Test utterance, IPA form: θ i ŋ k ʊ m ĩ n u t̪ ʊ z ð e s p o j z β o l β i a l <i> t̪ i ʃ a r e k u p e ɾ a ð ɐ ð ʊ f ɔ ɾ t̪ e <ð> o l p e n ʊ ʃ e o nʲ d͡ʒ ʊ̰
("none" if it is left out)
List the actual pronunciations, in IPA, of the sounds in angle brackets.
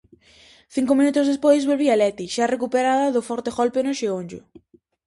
ɛ, ɣ

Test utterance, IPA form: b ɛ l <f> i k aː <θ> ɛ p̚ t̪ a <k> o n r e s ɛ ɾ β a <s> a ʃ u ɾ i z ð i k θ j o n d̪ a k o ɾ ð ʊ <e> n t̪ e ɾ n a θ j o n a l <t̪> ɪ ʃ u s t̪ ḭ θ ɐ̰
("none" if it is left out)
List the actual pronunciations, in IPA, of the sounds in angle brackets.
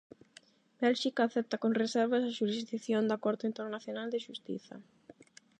ʃ, θ, k, s, i, d̪

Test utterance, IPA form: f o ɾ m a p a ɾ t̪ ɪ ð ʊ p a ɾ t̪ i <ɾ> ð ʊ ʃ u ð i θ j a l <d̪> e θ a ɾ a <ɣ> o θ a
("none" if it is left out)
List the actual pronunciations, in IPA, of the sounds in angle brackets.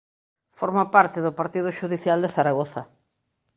none, d̪, ɣ

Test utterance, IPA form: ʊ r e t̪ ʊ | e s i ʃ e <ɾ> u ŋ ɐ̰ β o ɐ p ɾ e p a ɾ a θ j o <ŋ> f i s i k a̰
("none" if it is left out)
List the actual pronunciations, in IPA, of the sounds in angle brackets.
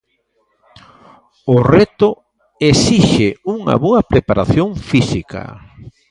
none, ŋ

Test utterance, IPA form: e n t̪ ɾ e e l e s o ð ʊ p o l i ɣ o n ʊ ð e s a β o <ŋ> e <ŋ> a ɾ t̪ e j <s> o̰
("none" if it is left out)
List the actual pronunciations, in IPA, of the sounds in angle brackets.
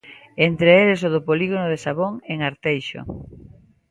ŋ, ŋ, ʃ

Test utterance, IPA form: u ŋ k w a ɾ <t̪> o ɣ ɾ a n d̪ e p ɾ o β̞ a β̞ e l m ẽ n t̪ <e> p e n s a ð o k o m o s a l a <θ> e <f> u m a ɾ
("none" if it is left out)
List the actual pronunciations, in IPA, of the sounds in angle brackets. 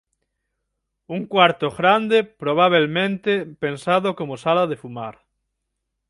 t̪, e, ð, f

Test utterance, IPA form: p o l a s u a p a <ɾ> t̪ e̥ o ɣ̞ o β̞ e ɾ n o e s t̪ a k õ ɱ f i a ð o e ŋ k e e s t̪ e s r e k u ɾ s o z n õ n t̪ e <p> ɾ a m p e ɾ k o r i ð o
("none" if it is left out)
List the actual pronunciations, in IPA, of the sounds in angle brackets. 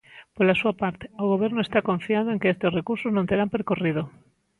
ɾ, none

